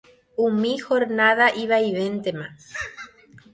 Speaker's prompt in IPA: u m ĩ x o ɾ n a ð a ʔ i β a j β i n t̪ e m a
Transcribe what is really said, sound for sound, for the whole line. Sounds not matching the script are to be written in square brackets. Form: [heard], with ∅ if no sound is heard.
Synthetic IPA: u m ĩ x o ɾ n a ð a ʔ i β a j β [e] n t̪ e m a